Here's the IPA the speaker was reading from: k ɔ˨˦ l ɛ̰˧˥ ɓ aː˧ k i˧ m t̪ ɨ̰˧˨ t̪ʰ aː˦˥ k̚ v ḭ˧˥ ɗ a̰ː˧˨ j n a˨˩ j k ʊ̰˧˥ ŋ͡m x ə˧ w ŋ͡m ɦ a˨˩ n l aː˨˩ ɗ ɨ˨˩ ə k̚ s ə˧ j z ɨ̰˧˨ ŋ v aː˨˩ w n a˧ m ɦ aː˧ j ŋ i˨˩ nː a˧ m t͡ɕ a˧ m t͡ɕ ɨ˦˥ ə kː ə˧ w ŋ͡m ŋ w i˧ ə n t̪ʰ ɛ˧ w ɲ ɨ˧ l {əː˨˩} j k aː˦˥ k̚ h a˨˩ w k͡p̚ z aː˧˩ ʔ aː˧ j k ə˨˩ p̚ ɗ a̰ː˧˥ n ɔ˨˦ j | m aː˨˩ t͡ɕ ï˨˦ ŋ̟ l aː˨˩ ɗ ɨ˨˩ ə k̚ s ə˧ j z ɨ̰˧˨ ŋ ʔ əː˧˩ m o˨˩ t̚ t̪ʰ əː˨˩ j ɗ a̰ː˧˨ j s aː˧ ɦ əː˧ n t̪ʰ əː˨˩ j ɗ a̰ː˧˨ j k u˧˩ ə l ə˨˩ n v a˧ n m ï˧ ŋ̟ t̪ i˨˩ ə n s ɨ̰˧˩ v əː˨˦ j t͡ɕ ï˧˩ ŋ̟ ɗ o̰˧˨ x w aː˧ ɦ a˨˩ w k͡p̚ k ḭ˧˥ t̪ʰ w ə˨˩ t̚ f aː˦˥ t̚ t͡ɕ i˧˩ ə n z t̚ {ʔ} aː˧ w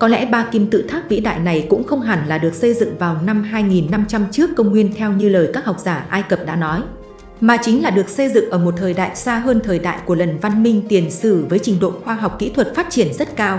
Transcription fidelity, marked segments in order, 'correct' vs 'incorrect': correct, incorrect: k

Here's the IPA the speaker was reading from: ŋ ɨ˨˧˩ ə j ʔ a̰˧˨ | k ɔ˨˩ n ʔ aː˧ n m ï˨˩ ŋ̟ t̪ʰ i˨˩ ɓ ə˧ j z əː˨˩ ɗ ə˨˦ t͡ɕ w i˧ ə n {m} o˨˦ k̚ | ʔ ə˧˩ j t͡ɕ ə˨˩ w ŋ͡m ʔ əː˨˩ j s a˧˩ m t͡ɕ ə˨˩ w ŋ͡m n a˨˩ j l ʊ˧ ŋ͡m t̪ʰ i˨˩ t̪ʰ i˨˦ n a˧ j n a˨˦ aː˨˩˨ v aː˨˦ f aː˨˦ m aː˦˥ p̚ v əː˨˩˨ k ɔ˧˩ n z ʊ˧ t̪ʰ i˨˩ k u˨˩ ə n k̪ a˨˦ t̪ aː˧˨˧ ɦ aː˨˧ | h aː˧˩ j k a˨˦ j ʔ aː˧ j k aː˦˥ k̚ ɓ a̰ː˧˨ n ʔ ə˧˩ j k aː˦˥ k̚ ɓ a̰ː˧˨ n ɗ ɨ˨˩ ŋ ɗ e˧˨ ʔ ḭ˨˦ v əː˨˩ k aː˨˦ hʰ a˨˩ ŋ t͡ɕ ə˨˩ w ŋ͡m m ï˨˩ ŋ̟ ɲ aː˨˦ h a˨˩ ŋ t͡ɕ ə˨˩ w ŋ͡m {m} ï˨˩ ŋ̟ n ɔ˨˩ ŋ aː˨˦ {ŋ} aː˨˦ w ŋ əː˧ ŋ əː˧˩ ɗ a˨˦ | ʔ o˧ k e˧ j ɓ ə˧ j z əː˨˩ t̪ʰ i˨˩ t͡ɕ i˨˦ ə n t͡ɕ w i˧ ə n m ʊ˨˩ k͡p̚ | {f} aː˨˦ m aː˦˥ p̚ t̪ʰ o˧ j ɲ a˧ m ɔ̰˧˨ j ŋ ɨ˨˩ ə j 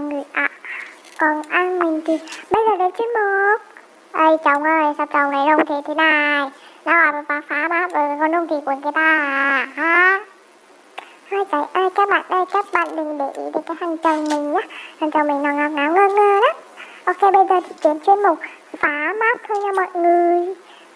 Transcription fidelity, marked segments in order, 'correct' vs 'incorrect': correct, correct, correct, correct

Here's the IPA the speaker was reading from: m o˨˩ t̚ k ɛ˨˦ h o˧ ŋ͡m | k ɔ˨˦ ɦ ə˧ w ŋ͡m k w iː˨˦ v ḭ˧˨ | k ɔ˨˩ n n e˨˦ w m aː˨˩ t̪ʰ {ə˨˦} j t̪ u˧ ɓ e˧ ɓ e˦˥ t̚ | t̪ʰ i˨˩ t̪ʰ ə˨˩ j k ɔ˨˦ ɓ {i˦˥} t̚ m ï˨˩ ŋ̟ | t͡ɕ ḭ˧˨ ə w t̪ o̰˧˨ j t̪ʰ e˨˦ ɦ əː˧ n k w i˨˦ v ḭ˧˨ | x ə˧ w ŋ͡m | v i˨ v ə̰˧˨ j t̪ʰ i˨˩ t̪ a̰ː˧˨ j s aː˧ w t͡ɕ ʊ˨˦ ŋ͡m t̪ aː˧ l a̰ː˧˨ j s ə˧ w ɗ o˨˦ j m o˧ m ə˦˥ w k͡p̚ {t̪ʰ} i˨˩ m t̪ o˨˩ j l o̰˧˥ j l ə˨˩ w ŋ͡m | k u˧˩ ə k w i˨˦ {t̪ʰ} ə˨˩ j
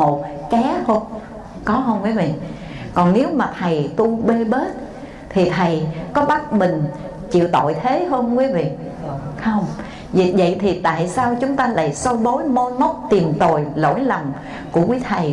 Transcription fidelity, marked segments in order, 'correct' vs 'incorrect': incorrect: ə˨˩, incorrect: a˦˥, incorrect: t̪, correct

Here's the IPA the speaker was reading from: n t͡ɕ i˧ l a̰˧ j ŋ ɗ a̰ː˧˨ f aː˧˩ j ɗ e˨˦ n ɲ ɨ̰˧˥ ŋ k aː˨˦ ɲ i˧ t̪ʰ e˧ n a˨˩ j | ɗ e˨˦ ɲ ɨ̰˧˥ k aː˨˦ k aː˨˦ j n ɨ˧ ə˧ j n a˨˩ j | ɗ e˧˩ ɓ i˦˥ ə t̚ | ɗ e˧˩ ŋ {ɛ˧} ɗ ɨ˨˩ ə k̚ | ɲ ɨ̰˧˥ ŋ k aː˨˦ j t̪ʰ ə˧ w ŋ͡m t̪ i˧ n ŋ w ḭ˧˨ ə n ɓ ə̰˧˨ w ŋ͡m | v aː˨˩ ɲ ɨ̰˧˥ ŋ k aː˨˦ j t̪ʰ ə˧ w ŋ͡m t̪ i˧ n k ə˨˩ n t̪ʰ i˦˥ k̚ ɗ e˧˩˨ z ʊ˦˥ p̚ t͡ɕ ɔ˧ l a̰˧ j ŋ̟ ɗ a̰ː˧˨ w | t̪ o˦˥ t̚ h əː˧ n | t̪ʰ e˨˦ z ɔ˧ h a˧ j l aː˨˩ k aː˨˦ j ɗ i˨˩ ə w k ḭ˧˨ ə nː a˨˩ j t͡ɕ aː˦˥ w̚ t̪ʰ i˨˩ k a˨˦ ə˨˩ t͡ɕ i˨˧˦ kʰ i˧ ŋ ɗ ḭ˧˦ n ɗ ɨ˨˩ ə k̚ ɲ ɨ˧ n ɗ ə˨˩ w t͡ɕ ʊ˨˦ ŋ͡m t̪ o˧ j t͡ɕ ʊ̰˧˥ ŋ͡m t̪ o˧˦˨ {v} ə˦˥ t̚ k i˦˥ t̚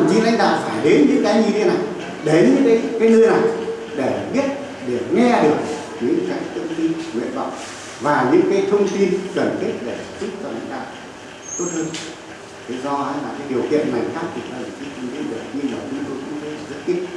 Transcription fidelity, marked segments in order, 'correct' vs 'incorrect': correct, incorrect: z

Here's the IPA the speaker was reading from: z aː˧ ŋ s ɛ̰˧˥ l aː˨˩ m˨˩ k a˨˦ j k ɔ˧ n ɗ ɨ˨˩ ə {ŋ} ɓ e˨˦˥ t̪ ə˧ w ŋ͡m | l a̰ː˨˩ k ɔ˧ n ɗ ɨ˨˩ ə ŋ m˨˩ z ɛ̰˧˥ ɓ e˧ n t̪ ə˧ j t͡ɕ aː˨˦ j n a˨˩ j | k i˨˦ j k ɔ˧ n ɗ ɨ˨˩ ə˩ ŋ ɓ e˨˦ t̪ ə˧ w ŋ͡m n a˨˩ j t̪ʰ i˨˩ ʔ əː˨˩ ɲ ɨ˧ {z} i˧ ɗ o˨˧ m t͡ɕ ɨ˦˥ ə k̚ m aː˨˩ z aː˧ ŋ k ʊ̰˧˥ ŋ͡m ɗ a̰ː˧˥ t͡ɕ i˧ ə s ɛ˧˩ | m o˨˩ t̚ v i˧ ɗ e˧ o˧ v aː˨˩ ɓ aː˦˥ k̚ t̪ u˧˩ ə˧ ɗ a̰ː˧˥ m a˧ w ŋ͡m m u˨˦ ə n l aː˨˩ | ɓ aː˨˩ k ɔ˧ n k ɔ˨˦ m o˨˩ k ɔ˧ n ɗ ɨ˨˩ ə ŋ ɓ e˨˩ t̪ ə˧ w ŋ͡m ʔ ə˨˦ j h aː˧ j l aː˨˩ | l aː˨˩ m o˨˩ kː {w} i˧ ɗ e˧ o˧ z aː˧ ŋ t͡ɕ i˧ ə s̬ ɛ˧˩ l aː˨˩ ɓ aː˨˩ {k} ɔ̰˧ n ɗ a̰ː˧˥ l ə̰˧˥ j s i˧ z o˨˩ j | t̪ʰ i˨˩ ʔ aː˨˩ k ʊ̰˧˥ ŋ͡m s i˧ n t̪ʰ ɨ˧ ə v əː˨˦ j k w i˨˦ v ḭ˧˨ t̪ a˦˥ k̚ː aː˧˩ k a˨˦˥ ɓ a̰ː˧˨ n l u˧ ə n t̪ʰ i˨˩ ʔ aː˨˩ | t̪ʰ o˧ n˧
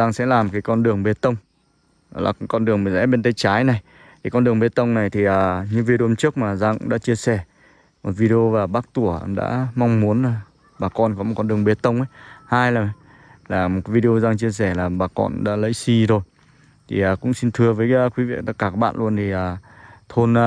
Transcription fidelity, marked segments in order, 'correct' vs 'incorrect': correct, incorrect: v, incorrect: v, correct

